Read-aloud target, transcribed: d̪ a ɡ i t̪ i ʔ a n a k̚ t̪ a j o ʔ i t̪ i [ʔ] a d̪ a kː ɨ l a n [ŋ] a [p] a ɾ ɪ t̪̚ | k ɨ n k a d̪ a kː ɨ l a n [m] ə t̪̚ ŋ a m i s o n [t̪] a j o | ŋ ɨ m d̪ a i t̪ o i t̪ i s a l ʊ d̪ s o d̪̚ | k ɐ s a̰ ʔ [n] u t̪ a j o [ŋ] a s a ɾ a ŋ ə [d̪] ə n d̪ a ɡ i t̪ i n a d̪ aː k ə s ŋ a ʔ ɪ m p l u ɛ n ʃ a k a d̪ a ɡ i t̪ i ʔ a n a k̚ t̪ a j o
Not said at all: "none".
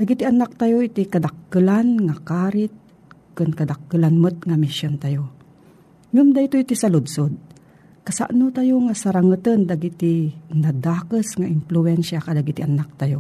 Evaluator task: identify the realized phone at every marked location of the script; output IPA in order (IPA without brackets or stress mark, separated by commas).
k, ŋ, k, m, t̪, n, ŋ, t̪